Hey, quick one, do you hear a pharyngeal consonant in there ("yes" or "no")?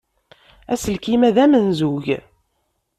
no